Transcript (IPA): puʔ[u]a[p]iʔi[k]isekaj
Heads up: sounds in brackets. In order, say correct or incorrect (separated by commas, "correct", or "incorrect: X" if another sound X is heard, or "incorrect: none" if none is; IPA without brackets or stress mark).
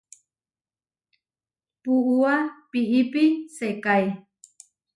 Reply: correct, correct, incorrect: p